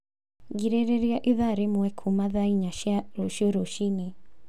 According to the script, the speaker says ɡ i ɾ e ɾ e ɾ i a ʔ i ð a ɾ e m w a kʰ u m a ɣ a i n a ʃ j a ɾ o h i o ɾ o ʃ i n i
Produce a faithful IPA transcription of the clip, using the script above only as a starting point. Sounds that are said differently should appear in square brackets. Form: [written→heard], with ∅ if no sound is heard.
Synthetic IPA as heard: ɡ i ɾ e ɾ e ɾ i a ʔ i ð a ɾ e m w [a→ɛ] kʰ u m a [ɣ→ð] a i [n→ɲ] a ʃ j a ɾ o [h→ʃ] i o ɾ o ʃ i n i

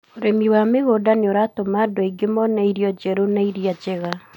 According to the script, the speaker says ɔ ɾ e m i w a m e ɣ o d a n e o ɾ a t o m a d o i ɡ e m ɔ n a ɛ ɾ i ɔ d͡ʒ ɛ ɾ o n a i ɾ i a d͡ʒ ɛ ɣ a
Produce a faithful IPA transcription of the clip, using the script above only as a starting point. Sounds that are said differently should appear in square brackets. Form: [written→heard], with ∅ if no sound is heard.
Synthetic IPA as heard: [ɔ→o] ɾ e m i w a m e ɣ o d a n e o ɾ a t o m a d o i ɡ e m ɔ n a [ɛ→i] ɾ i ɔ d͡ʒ ɛ ɾ o n a i ɾ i a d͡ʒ ɛ ɣ a

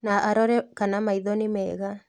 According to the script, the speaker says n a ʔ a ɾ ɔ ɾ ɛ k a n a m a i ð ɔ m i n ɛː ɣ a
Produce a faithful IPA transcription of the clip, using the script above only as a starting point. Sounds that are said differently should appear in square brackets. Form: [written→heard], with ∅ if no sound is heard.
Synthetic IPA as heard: n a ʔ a ɾ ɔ ɾ ɛ k a n a m a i ð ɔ [m→n] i [n→m] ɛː ɣ a

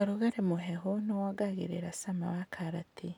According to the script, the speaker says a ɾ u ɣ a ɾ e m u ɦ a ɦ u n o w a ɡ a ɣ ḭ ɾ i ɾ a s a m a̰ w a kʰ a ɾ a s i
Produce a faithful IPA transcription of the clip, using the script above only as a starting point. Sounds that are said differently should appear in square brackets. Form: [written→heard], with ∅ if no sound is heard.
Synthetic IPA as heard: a ɾ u ɣ a ɾ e m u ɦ [a→e] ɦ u n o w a ɡ a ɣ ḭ ɾ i ɾ a s a m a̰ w a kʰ a ɾ a [s→t] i

